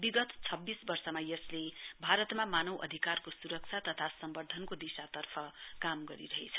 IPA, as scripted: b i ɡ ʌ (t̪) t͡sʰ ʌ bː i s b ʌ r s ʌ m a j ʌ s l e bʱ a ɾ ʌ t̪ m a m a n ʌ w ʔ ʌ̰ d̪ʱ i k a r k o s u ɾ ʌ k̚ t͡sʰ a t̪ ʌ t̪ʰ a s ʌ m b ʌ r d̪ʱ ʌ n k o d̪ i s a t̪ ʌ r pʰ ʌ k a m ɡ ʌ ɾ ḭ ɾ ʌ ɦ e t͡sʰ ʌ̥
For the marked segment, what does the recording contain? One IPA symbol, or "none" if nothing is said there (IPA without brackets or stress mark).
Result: t̪